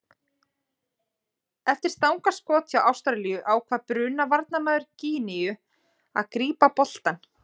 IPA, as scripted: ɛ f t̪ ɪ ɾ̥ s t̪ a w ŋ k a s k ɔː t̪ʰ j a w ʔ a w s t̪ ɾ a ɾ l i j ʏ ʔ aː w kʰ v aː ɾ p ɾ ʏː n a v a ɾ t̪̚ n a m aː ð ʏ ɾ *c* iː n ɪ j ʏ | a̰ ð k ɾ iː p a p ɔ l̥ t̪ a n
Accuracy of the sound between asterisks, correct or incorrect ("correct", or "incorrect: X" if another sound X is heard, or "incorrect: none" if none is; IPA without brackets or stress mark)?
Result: correct